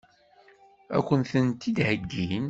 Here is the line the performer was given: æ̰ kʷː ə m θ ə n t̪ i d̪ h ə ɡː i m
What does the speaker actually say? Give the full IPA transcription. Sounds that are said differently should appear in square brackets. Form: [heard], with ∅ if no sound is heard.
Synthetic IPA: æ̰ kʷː ə [n] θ ə n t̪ i d̪ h ə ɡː i [n]